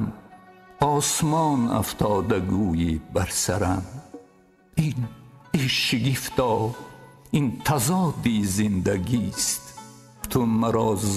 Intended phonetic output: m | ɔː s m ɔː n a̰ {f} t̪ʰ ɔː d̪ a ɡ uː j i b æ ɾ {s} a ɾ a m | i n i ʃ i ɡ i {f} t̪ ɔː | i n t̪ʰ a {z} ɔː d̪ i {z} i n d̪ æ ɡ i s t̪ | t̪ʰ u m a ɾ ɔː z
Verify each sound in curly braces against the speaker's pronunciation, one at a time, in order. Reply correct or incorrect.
correct, correct, correct, correct, correct

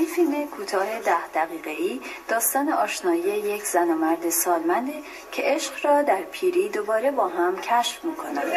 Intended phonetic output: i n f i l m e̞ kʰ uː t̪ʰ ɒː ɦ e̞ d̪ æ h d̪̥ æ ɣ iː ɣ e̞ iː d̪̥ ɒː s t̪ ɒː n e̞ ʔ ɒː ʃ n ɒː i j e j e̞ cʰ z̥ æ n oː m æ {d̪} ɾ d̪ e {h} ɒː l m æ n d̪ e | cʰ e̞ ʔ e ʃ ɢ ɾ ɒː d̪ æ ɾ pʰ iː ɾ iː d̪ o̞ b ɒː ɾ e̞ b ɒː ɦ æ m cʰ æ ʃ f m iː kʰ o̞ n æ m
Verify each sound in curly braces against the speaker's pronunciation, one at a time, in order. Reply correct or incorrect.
incorrect, incorrect

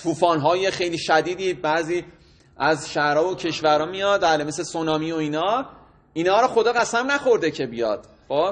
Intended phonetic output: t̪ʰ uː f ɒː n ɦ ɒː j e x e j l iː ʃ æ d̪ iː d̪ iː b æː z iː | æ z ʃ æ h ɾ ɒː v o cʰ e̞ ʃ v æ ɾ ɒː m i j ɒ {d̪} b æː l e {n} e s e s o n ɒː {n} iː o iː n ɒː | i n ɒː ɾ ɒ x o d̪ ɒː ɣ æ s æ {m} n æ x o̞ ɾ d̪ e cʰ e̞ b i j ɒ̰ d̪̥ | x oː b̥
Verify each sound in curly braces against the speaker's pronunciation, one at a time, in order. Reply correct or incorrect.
correct, incorrect, incorrect, correct

